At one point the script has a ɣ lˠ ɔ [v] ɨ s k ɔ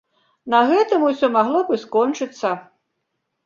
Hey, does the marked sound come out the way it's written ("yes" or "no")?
no